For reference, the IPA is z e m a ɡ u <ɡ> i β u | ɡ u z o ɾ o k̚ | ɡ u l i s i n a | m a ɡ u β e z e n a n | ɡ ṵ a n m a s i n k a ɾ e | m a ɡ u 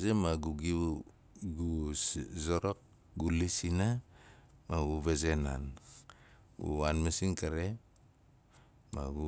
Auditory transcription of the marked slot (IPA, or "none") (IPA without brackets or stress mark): ɡ